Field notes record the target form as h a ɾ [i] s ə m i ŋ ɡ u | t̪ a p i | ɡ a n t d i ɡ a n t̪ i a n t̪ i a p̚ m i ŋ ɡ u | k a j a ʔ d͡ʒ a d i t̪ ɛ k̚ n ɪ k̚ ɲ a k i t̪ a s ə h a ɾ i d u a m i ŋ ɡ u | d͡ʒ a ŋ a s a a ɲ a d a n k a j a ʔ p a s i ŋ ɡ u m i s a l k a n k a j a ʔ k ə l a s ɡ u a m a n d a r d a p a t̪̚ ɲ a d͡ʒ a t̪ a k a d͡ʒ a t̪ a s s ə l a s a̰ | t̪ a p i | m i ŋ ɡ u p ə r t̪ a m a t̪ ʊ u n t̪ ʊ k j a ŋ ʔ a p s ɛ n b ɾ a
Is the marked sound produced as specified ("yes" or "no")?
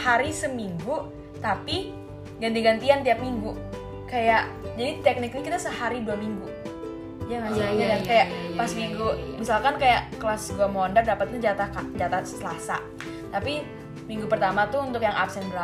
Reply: yes